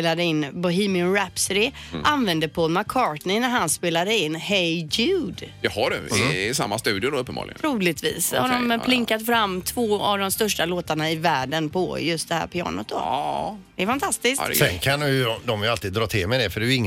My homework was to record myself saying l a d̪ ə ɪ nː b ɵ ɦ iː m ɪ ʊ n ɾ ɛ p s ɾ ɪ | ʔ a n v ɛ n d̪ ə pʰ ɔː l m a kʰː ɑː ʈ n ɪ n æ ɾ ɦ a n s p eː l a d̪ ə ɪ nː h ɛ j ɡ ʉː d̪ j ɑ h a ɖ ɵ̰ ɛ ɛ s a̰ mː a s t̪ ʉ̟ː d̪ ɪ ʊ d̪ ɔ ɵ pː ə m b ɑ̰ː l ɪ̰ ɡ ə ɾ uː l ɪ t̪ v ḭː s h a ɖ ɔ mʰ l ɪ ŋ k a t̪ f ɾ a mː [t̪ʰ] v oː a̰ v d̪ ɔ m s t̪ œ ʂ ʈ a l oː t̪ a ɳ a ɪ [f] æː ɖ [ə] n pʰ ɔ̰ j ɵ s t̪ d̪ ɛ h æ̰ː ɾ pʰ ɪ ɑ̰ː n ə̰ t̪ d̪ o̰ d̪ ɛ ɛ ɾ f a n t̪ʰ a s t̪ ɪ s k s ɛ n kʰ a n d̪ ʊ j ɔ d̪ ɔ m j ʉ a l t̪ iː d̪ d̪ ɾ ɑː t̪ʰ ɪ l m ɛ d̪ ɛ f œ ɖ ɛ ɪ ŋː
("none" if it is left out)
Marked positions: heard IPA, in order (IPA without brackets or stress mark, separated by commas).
t̪ʰ, v, ə